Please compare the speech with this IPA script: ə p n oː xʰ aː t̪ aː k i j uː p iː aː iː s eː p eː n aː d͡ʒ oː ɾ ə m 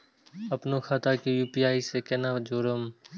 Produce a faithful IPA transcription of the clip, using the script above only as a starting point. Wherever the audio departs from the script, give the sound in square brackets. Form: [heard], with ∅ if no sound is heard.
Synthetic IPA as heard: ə p n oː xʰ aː t̪ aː k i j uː p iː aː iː s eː [k] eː n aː d͡ʒ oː ɾ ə m